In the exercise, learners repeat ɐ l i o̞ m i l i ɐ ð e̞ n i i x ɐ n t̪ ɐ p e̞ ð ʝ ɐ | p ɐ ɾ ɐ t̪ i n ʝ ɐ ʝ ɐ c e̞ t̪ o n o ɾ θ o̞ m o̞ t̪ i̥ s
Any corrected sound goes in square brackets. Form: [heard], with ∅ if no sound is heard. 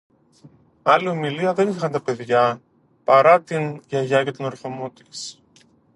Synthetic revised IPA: ɐ l i o̞ m i l i ɐ ð e̞ n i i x ɐ n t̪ ɐ p e̞ ð ʝ ɐ | p ɐ ɾ ɐ t̪ i n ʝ ɐ ʝ ɐ c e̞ t̪ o n o ɾ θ o̞ m o̞ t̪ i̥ s